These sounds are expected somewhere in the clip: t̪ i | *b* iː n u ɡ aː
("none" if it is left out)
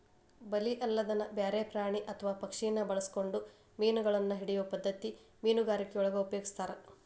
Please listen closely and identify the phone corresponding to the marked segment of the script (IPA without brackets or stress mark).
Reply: m